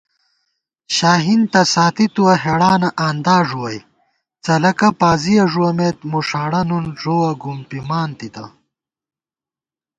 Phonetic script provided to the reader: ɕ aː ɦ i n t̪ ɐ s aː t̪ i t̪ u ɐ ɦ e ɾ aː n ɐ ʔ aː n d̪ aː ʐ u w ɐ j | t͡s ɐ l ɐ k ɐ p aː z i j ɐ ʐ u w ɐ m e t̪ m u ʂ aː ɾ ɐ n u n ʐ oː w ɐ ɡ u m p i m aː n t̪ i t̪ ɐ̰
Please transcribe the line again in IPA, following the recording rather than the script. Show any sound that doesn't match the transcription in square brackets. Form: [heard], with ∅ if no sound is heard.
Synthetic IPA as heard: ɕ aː ɦ i n t̪ ɐ s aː t̪ i t̪ u ɐ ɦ e [ɽ] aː n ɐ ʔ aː n d̪ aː ʐ u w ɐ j | t͡s ɐ l ɐ k ɐ p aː z i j ɐ ʐ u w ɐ m e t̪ m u ʂ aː [ɽ] ɐ n u n ʐ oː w ɐ ɡ u m p i m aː n t̪ i t̪ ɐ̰